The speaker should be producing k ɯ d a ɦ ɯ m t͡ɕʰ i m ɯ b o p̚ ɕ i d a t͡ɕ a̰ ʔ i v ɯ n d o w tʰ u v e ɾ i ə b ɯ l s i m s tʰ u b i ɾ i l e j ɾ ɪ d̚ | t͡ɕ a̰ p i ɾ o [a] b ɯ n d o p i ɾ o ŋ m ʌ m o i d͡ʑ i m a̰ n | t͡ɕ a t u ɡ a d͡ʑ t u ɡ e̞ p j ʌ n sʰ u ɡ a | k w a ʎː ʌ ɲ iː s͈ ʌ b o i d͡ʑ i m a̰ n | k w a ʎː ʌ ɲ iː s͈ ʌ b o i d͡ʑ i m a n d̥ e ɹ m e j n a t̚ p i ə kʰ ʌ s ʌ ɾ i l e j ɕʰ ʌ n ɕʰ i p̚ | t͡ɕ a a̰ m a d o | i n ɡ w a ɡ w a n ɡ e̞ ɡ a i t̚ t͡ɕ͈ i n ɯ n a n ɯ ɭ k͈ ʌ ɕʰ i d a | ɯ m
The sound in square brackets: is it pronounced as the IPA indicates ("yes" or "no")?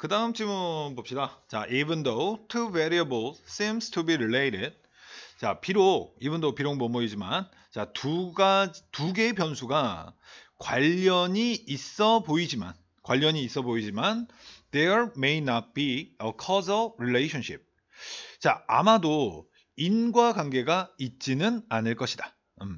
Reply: no